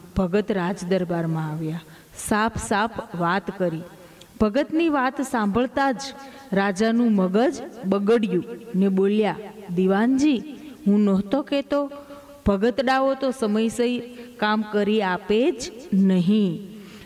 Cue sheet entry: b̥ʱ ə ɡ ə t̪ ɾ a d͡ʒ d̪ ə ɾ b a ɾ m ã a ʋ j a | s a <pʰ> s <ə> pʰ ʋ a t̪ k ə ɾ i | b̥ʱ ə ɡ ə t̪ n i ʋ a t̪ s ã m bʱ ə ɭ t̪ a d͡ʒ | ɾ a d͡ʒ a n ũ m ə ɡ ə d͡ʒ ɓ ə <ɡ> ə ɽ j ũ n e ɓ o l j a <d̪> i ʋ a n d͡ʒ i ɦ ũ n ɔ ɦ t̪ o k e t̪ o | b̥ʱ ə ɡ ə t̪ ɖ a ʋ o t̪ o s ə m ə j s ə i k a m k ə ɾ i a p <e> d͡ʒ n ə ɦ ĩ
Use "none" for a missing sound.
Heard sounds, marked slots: pʰ, a, ɡ, d̪, e

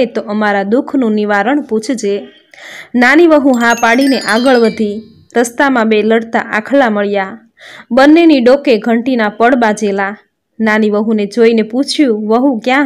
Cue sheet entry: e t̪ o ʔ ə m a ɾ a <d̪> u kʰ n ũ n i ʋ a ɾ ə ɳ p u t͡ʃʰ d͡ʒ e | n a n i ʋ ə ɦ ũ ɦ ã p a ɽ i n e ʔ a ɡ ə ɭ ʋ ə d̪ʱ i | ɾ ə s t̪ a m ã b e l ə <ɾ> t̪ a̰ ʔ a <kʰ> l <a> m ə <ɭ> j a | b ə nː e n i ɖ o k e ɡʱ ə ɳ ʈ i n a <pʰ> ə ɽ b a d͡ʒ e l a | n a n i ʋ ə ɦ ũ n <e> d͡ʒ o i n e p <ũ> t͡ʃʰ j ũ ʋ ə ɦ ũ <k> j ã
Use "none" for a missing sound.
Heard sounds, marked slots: d̪, ɽ, kʰ, a, ɭ, p, e, u, k

